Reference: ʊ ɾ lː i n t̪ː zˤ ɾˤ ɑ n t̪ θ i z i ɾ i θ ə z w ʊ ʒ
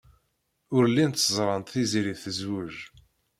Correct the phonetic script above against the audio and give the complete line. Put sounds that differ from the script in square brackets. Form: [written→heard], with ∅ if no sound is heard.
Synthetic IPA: ʊ ɾ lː i n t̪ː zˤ ɾˤ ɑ n t̪ θ i z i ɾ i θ ə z w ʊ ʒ